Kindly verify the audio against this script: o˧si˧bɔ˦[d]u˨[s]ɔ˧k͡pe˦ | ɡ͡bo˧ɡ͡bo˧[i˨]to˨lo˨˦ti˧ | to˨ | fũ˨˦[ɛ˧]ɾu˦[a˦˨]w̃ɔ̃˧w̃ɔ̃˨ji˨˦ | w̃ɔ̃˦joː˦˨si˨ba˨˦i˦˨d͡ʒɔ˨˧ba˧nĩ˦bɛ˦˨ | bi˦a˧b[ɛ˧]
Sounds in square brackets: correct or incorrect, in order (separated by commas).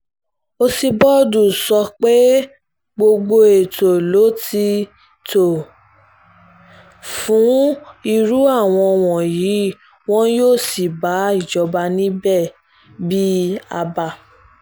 correct, correct, incorrect, incorrect, correct, incorrect